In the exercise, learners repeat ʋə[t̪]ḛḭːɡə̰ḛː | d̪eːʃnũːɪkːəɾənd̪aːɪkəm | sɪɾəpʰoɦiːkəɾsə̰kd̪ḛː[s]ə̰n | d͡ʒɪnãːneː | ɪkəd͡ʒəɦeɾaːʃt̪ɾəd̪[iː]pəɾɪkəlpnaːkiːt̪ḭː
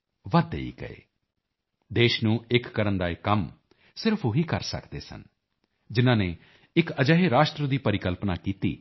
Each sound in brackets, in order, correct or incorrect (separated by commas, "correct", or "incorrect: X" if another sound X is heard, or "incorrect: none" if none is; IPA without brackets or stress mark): incorrect: d̪, correct, correct